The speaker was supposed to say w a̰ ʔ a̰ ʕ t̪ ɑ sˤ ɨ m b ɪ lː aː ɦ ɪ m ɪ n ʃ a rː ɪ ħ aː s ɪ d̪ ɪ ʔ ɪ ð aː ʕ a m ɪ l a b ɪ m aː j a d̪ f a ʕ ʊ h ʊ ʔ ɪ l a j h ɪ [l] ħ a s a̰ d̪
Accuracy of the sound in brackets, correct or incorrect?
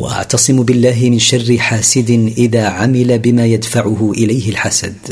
correct